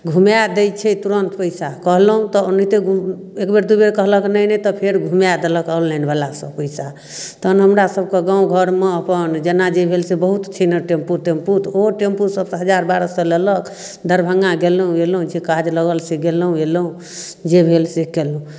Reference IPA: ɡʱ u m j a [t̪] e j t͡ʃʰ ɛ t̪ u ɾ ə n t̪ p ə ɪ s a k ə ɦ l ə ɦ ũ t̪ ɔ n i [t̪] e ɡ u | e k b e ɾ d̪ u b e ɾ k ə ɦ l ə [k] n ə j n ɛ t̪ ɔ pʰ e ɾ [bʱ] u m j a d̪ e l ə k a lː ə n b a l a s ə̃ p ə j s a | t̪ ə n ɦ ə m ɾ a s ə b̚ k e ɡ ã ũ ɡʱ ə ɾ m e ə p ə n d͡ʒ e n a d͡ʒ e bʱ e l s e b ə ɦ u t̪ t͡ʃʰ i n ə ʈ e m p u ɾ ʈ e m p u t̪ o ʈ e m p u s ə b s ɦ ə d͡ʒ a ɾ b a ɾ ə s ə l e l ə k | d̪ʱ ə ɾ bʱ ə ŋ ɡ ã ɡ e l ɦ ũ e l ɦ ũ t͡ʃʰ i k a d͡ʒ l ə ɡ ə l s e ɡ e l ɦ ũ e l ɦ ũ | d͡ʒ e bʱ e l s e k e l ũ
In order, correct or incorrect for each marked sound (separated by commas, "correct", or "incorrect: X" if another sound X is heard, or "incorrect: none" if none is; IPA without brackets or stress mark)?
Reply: incorrect: d̪, correct, correct, incorrect: ɡʱ